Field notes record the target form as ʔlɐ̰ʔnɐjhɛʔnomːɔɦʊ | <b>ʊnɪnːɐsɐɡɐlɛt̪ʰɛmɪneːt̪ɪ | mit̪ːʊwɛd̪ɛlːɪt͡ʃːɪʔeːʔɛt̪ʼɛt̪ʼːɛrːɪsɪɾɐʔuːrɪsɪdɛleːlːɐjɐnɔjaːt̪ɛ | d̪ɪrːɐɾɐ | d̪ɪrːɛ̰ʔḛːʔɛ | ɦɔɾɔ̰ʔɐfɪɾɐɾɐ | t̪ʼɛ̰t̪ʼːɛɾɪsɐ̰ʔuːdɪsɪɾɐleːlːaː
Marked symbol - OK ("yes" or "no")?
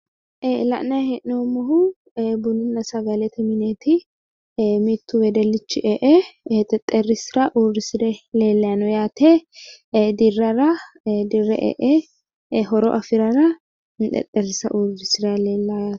yes